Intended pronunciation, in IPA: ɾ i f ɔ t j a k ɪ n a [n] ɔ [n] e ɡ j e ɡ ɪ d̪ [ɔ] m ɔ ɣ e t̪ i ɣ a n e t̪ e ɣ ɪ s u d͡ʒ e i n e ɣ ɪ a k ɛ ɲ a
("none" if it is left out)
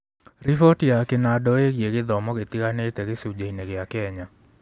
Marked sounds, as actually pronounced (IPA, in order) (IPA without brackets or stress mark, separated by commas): d, none, ɔ